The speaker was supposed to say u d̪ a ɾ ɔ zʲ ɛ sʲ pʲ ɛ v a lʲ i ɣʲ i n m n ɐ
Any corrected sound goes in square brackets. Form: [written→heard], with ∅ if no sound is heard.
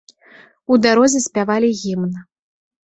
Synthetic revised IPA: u d̪ a ɾ ɔ zʲ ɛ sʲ pʲ [ɛ→a] v a lʲ i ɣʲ i [n→∅] m n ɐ